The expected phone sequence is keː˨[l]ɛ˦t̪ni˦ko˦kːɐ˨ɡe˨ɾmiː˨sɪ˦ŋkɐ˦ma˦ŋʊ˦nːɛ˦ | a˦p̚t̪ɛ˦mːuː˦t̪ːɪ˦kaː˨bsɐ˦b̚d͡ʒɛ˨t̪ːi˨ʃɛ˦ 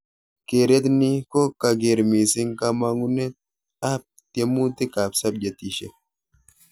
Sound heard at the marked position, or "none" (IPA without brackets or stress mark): ɾ